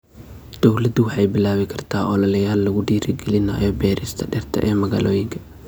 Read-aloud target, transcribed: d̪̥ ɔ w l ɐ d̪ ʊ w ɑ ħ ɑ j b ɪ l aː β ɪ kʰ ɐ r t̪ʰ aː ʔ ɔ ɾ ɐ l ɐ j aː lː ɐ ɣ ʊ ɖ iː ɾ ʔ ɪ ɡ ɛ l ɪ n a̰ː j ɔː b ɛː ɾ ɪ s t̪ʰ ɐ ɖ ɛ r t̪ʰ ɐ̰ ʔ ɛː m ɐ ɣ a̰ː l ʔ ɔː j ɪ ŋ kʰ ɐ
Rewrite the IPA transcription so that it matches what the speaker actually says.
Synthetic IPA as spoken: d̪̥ ɔ w l ɐ d̪ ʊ w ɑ ħ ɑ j b ɪ l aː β ɪ kʰ ɐ r t̪ʰ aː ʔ ɔ l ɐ l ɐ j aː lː ɐ ɣ ʊ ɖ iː ɾ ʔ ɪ ɡ ɛ l ɪ n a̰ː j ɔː b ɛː ɾ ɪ s t̪ʰ ɐ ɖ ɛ r t̪ʰ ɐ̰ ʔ ɛː m ɐ ɣ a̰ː l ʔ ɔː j ɪ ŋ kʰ ɐ

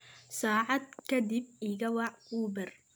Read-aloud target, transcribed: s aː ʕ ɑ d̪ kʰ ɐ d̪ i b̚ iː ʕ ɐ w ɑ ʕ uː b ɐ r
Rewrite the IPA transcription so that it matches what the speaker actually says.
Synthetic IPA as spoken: s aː ʕ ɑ d̪ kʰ ɐ d̪ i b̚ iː ɣ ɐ w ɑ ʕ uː b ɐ r

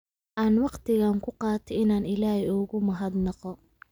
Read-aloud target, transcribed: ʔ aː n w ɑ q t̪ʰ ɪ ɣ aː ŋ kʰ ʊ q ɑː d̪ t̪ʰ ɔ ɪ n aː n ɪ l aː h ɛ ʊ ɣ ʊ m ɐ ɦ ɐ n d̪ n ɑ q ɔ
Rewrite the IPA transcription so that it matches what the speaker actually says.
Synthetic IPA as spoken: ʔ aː n w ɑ q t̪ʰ ɪ ɣ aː ŋ kʰ ʊ q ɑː t̪ʰ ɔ ɪ n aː n ɪ l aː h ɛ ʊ ɣ ʊ m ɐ ɦ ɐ d̪ n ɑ q ɔ

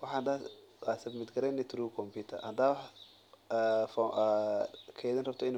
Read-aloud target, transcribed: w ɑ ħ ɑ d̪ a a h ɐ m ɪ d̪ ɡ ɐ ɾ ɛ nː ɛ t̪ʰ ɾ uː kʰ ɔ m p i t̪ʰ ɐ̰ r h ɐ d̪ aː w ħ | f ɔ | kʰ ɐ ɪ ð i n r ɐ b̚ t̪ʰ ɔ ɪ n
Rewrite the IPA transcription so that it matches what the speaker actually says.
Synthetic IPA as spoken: w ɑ ħ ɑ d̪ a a s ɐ m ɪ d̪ ɡ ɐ ɾ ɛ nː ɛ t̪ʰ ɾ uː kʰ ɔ m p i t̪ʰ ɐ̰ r h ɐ d̪ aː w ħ | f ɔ | kʰ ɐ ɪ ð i n r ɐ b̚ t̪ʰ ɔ ɪ n

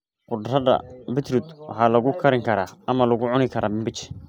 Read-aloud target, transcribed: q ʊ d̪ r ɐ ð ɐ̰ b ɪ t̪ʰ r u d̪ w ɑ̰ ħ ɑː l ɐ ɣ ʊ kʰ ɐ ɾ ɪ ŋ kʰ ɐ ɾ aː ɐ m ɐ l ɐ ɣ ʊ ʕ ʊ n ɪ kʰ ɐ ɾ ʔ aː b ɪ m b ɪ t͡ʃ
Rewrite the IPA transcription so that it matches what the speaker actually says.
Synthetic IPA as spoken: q ʊ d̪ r ɐ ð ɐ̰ b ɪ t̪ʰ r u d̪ w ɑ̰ ħ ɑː l ɐ ɣ ʊ kʰ ɐ ɾ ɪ ŋ kʰ ɐ ɾ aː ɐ m ɐ l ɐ ɣ ʊ ʕ ʊ n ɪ kʰ ɐ ɾ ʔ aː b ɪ m b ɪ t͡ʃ

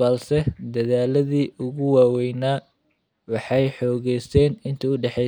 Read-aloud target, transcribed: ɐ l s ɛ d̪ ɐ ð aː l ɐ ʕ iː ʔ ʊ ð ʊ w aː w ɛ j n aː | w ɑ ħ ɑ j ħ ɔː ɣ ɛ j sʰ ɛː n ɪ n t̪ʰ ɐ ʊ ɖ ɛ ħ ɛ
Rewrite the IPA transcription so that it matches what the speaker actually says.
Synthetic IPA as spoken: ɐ l s ɛ d̪ ɐ ð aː l ɐ ð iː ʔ ʊ ɣ ʊ w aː w ɛ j n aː | w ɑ ħ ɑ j ħ ɔː ɣ ɛ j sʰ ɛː n ɪ n t̪ʰ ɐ ʊ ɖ ɛ ħ ɛ

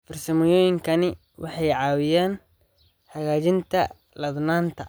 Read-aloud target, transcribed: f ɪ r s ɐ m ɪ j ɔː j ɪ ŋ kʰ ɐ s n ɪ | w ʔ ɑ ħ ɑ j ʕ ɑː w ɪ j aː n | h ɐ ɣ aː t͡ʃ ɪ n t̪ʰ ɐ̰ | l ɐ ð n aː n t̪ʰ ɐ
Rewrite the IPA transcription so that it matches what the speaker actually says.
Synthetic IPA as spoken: f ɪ r s ɐ m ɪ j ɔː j ɪ ŋ kʰ ɐ n ɪ | w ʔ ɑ ħ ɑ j ʕ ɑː w ɪ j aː n | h ɐ ɣ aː t͡ʃ ɪ n t̪ʰ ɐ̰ | l ɐ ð n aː n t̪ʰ ɐ

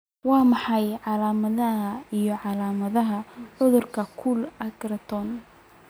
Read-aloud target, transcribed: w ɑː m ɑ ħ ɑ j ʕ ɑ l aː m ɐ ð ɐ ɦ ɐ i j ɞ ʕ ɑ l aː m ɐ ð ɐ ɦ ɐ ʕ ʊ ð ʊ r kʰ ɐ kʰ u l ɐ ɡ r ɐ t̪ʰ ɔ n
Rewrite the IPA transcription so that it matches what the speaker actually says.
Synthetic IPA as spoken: w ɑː m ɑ ħ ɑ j ʕ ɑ l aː m ɐ ð ɐ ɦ ɐ i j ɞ ʕ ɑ l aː m ɐ ð ɐ ɦ ɐ ʕ ʊ ð ʊ r kʰ ɐ kʰ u l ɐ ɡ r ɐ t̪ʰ ɔ n

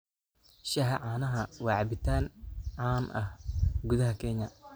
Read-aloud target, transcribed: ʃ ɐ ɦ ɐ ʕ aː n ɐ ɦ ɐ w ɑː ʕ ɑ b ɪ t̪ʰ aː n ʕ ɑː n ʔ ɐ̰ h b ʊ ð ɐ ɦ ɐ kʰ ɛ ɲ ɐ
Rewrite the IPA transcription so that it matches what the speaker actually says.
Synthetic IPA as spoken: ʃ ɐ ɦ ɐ ʕ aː n ɐ ɦ ɐ w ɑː ʕ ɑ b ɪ t̪ʰ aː n ʕ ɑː n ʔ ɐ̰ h ɡ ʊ ð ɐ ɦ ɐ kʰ ɛ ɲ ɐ

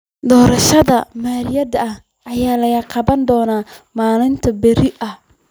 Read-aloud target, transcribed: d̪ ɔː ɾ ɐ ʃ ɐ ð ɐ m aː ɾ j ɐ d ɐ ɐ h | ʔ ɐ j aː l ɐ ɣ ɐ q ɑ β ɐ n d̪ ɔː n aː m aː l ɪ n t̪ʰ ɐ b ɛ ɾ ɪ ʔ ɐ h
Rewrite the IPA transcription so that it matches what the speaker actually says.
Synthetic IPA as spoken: d̪ ɔː ɾ ɐ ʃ ɐ ð ɐ m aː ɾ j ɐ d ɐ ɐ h | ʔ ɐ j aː l ɐ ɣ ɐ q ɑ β ɐ n d̪ ɔː n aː m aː l ɪ n t̪ʰ ɐ b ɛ ɾ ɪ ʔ ɐ h

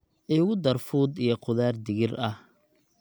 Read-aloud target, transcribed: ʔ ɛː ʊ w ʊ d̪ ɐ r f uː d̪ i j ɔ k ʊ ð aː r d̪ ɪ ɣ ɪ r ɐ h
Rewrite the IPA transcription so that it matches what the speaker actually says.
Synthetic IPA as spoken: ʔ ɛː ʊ ɣ ʊ d̪ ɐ r f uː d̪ i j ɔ q ʊ ð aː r d̪ ɪ ɣ ɪ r ɐ h

